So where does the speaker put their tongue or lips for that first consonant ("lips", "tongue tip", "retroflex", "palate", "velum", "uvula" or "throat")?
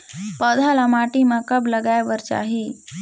lips